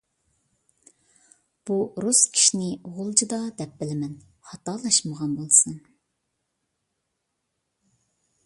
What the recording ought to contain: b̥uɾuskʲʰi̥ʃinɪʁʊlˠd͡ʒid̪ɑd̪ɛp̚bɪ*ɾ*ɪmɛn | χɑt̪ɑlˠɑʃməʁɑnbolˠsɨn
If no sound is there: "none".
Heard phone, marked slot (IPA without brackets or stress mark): l